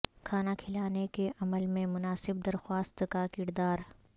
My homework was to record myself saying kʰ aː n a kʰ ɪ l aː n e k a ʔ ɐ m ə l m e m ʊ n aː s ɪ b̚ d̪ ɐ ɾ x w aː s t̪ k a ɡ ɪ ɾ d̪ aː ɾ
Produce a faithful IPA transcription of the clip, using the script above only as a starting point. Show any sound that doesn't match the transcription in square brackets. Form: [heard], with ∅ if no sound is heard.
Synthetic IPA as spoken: kʰ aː n a kʰ ɪ l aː n e k [e] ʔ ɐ m ə l m [ẽ] m ʊ n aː s ɪ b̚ d̪ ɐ ɾ x w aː s t̪ k a [k] ɪ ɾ d̪ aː ɾ